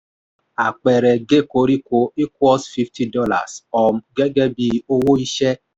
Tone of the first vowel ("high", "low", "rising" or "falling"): low